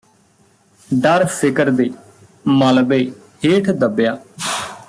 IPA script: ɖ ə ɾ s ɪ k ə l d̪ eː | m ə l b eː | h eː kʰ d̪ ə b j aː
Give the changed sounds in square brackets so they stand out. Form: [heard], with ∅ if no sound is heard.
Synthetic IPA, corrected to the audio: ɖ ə ɾ s ɪ k ə [ɾ] d̪ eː | m ə l b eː | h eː [ʈʰ] d̪ ə b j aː

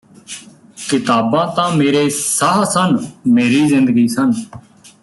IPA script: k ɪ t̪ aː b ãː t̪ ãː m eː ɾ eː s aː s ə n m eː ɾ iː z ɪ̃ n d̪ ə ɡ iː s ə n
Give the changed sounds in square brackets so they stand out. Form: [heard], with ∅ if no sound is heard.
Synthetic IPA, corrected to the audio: k ɪ t̪ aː b ãː t̪ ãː m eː ɾ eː s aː s ə n m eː ɾ iː z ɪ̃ n d̪ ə ɡ iː s ə n

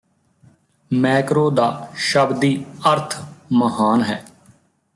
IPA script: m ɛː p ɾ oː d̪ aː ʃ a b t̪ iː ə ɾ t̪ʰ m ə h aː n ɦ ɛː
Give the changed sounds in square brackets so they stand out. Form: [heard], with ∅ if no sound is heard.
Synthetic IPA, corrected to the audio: m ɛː [k] ɾ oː d̪ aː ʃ [ə] b [d̪] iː ə ɾ t̪ʰ m ə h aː n ɦ ɛː

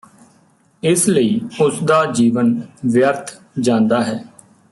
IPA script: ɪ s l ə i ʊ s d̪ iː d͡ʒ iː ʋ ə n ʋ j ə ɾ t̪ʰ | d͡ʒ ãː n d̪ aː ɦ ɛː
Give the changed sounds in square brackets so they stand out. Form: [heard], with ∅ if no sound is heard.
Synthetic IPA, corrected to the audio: ɪ s l ə [iː] ʊ s d̪ [aː] d͡ʒ iː ʋ ə n ʋ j ə ɾ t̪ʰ | d͡ʒ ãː n d̪ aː ɦ ɛː

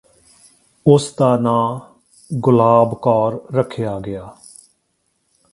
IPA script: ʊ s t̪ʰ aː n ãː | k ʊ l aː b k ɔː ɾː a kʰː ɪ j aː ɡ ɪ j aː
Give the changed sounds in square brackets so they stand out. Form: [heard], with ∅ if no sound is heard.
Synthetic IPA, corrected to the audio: ʊ s [t̪] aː n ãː | [ɡ] ʊ l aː b k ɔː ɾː [ə] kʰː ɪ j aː ɡ ɪ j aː

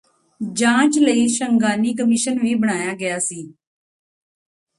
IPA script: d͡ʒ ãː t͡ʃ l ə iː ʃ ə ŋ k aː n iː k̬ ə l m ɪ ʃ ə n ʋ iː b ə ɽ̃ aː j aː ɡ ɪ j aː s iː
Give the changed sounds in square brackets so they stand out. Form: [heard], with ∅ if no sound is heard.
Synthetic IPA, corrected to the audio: d͡ʒ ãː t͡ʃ l ə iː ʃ ə ŋ [ɡ] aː n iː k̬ ə [∅] m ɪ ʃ ə n ʋ iː b ə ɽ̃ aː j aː ɡ ɪ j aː s iː

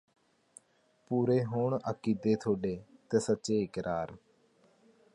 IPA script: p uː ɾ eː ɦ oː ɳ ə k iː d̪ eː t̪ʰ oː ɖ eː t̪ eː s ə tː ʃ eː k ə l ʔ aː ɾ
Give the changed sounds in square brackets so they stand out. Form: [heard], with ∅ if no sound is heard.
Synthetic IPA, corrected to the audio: p uː ɾ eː ɦ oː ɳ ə k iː d̪ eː t̪ʰ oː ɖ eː t̪ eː s ə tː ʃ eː k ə [ɾ] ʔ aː ɾ

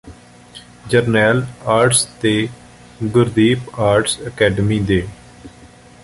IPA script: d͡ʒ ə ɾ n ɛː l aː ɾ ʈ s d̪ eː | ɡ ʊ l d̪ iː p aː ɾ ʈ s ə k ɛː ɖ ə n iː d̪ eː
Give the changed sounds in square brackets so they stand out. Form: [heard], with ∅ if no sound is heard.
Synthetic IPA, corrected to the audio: d͡ʒ ə ɾ n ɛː l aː ɾ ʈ s [t̪] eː | ɡ ʊ [ɾ] d̪ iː p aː ɾ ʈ s ə k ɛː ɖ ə [m] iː d̪ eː

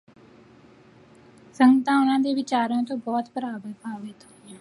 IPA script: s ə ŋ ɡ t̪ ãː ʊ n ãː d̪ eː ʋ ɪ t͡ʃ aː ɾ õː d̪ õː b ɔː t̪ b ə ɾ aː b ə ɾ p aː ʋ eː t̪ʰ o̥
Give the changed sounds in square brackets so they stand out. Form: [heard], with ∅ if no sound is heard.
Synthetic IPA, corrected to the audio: s ə ŋ ɡ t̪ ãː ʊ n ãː d̪ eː ʋ ɪ t͡ʃ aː ɾ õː [t̪] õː b ɔː t̪ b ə ɾ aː b ə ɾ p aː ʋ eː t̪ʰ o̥

